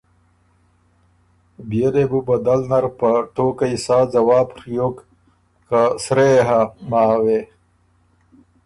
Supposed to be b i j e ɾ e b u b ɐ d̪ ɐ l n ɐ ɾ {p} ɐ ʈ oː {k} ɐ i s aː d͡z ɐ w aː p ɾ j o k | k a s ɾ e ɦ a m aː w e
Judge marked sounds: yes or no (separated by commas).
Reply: yes, yes